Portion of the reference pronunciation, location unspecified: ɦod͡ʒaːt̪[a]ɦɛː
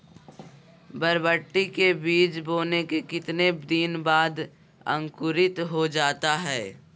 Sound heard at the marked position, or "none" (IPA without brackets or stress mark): a